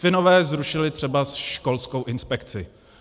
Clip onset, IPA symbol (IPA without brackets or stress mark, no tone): f